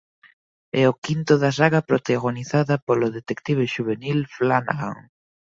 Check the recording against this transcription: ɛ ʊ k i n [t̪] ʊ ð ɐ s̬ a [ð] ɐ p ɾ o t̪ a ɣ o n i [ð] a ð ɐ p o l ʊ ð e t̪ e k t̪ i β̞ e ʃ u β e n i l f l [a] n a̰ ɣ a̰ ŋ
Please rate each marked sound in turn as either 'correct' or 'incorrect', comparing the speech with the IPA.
correct, incorrect, incorrect, correct

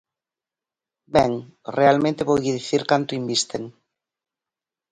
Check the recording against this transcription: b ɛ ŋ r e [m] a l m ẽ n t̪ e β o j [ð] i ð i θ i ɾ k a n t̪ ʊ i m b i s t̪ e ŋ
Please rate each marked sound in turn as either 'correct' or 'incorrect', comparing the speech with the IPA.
incorrect, incorrect

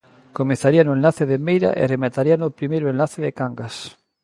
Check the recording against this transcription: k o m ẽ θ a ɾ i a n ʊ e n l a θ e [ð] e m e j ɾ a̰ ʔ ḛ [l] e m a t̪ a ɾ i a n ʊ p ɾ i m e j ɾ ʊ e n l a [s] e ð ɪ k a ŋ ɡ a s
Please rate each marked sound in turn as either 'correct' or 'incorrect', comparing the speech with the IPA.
correct, incorrect, incorrect

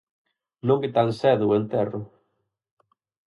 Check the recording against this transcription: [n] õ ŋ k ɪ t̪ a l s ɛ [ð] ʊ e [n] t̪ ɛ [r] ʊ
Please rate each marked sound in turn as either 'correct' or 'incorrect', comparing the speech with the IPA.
correct, correct, correct, correct

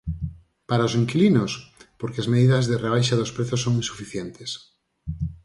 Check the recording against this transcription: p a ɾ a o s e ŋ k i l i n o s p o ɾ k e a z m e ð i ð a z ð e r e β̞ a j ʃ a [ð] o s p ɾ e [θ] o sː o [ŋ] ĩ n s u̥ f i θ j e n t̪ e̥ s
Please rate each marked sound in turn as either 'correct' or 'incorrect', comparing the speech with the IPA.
correct, correct, correct

